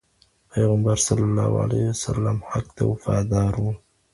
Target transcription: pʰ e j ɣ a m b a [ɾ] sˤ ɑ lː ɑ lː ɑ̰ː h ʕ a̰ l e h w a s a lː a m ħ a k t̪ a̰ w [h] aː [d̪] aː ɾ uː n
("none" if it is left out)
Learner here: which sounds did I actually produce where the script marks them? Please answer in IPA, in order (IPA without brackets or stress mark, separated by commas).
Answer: ɾ, f, d̪